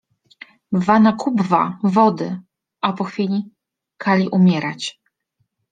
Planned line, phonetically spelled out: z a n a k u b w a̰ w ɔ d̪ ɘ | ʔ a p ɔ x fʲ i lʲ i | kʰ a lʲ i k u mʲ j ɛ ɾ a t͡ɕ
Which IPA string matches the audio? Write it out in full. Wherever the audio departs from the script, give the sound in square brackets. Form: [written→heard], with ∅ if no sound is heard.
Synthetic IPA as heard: [z→v] a n a k u b [w→v] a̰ [w→v] ɔ d̪ ɘ | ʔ a p ɔ x fʲ i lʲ i | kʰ a lʲ i [k→ʔ] u mʲ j ɛ ɾ a t͡ɕ